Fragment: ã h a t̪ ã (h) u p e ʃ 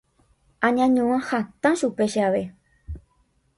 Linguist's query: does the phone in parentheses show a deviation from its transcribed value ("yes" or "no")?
yes